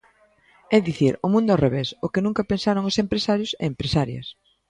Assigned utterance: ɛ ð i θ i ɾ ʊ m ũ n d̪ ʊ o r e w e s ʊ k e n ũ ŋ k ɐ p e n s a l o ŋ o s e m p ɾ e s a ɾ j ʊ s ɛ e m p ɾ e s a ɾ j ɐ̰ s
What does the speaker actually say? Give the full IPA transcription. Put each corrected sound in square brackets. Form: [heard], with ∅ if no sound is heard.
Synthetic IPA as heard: ɛ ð i θ i ɾ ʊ m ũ n d̪ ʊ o r e [β] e s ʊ k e n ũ ŋ k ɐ p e n s a [ɾ] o ŋ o s e m p ɾ e s a ɾ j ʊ s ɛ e m p ɾ e s a ɾ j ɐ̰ s